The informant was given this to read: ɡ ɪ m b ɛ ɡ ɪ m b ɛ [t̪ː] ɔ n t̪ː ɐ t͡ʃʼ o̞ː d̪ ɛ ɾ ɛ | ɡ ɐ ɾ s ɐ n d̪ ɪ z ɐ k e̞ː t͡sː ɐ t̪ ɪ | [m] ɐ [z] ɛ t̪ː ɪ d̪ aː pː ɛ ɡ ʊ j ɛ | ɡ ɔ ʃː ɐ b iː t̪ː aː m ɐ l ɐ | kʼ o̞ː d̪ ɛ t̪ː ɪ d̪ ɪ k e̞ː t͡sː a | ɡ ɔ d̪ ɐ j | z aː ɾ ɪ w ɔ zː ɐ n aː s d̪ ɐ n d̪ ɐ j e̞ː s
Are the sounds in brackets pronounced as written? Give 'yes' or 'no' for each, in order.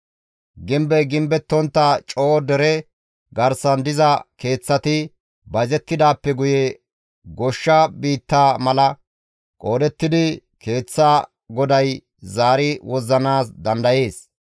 yes, no, yes

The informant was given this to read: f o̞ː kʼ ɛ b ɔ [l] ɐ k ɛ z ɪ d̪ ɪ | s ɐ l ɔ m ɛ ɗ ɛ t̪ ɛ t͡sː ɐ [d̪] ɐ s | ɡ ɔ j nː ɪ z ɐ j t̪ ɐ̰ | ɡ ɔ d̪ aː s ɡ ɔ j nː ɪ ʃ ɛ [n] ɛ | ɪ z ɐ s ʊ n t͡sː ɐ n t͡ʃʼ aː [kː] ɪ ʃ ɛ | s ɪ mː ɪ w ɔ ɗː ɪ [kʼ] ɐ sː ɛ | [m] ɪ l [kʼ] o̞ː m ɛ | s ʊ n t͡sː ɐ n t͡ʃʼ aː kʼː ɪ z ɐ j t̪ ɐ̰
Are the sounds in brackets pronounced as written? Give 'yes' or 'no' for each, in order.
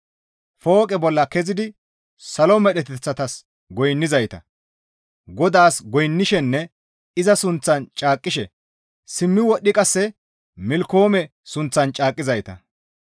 no, no, no, no, yes, yes, no

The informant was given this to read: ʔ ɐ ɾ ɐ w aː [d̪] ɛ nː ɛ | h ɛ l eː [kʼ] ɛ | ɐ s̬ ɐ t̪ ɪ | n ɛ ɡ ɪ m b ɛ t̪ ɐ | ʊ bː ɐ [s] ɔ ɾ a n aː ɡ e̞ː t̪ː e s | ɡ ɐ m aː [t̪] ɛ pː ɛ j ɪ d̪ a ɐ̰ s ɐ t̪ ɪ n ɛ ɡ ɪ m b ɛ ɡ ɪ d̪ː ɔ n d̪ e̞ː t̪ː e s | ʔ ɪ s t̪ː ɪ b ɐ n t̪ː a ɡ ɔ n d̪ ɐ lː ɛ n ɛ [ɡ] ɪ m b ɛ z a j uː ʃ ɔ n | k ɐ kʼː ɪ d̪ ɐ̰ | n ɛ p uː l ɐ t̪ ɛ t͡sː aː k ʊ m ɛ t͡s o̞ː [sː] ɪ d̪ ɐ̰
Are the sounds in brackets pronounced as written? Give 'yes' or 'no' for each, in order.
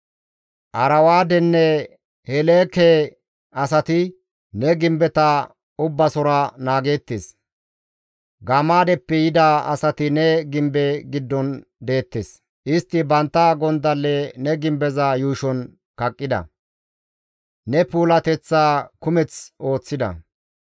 yes, no, yes, no, yes, no

